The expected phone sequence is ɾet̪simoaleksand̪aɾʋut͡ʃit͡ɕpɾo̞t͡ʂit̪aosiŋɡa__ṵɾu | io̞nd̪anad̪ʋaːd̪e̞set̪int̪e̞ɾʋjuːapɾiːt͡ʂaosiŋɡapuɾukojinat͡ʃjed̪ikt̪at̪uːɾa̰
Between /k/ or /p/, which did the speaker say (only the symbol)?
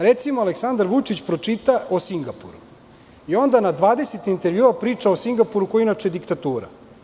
p